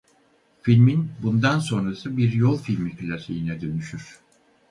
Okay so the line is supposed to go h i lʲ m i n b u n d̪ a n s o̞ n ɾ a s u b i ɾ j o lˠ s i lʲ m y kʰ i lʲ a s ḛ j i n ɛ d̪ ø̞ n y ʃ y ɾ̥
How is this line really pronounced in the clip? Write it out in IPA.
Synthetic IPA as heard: f i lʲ m i n b u n d̪ a n s o̞ n ɾ a s ɯ b i ɾ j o lˠ f i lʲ m i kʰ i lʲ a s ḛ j i n ɛ d̪ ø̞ n y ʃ y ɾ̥